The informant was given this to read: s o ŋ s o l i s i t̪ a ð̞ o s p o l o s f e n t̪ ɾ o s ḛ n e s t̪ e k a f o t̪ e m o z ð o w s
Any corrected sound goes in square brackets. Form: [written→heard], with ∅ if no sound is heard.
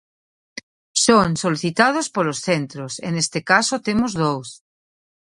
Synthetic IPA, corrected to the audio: s o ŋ s o l i [s→θ] i t̪ a ð̞ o s p o l o s [f→θ] e n t̪ ɾ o s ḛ n e s t̪ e k a [f→s] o t̪ e m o z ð o w s